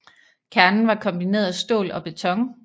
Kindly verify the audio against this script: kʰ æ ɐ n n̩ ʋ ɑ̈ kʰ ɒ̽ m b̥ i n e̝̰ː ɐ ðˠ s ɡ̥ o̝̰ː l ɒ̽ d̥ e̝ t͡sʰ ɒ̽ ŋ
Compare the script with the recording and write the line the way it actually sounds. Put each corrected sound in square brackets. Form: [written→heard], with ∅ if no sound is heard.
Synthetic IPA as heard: kʰ æ ɐ n n̩ ʋ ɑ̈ kʰ ɒ̽ m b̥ i n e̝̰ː ɐ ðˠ s [ɡ̥→d̥] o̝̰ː l ɒ̽ [d̥→b̥] e̝ t͡sʰ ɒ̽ ŋ